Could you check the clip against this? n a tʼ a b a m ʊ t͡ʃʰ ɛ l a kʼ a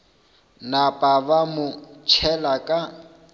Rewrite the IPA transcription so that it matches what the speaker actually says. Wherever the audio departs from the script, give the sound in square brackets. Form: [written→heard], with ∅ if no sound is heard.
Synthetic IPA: n a [tʼ→pʼ] a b a m ʊ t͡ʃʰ ɛ l a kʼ a